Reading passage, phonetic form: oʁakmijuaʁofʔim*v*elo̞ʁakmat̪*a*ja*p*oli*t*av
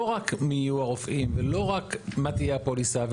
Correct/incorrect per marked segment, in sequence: correct, incorrect, correct, incorrect

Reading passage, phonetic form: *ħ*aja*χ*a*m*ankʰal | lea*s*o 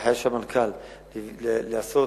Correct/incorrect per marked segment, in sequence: correct, incorrect, correct, correct

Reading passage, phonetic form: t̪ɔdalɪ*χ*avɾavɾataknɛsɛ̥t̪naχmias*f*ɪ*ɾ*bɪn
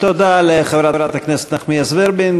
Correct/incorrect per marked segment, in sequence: correct, incorrect, correct

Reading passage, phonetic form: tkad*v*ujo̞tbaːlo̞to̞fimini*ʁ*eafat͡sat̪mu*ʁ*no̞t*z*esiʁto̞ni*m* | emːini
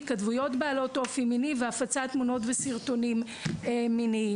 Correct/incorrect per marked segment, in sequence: correct, incorrect, incorrect, incorrect, correct

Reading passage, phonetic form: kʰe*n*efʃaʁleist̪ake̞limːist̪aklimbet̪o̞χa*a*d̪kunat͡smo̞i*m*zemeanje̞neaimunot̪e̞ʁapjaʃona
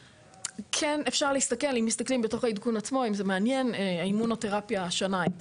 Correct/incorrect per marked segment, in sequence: correct, incorrect, correct

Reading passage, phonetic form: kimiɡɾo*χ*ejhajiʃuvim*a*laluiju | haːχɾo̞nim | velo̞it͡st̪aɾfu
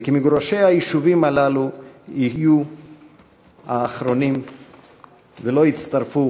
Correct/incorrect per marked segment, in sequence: incorrect, correct

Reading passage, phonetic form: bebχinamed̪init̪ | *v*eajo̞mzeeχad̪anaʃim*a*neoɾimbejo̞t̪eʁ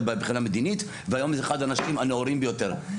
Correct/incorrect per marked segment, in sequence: correct, correct

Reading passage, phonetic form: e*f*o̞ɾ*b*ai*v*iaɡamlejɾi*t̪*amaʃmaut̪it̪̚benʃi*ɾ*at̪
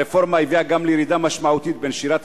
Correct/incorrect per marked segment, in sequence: correct, incorrect, correct, incorrect, correct

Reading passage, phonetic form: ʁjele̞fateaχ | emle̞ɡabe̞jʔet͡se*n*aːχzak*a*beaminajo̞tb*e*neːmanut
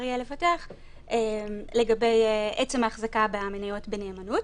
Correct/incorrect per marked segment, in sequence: incorrect, correct, correct

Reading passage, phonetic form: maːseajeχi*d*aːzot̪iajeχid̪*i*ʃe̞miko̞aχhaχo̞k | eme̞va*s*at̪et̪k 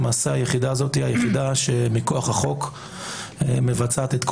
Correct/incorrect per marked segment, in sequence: correct, incorrect, incorrect

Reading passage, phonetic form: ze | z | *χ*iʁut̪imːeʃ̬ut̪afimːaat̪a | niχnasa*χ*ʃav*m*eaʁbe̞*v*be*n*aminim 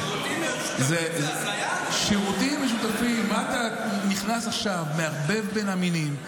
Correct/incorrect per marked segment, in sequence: incorrect, correct, correct, correct, correct

